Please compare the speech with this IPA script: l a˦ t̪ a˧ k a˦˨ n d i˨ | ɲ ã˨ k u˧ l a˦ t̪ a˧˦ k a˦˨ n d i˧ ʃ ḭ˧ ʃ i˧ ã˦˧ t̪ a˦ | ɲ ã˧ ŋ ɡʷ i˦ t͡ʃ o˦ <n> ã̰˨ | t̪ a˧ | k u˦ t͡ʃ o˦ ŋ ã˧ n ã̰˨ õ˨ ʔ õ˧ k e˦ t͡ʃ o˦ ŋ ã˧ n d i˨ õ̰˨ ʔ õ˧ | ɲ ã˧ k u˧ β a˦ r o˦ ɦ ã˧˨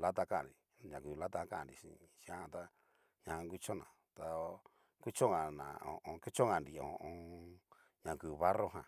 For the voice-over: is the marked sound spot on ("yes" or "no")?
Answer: yes